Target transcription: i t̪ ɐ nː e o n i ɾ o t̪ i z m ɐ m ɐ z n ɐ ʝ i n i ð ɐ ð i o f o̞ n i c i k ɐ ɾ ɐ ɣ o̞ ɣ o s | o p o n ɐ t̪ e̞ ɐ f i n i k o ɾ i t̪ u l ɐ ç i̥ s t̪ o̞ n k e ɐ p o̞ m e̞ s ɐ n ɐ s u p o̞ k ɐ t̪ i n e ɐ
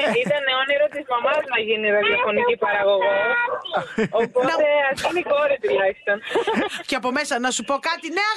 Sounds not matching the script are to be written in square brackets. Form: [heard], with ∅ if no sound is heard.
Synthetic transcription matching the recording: i t̪ ɐ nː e o n i ɾ o t̪ i z m ɐ m ɐ z n ɐ ʝ i n i ð ɐ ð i o f o̞ n i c i [p] ɐ ɾ ɐ ɣ o̞ ɣ o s | o p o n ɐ t̪ e̞ ɐ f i n i k o ɾ i t̪ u l ɐ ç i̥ s t̪ o̞ n [c] e ɐ p o̞ m e̞ s ɐ n ɐ s u p o̞ k ɐ t̪ i n e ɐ